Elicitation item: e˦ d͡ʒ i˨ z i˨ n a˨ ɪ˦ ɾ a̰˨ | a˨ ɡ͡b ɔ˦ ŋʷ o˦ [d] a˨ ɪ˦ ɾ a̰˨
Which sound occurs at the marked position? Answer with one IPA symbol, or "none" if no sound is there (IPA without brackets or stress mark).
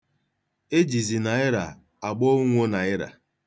n